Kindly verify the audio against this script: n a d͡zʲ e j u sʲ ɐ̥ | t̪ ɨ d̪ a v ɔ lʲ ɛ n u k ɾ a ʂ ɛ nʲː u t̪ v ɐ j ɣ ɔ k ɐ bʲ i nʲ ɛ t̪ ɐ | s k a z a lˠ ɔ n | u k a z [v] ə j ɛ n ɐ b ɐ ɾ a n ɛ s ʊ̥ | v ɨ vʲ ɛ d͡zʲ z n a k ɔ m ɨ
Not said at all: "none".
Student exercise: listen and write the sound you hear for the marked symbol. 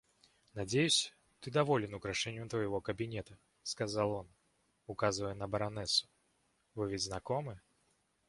v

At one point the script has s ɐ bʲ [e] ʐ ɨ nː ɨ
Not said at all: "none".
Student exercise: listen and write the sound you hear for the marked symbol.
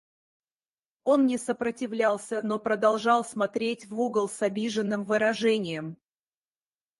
i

